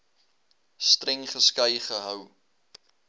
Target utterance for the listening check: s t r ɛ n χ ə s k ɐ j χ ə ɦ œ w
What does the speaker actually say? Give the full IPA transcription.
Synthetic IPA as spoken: s t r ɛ ŋ χ ə s k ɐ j χ ə ɦ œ w